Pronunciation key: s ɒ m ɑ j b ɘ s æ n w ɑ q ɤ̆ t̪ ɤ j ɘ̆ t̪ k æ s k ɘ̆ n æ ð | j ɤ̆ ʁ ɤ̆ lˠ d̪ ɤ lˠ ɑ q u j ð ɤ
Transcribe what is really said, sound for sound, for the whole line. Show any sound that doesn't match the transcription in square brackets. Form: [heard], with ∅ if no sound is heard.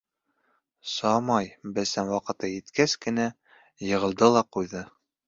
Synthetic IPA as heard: s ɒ m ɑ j b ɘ s æ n w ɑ q ɤ̆ t̪ ɤ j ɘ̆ t̪ k æ s k ɘ̆ n æ [∅] | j ɤ̆ ʁ ɤ̆ lˠ d̪ ɤ lˠ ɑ q u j ð ɤ